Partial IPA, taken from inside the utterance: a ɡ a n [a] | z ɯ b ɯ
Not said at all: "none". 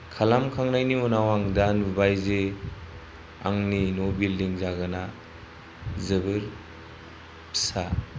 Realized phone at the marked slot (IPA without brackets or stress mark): a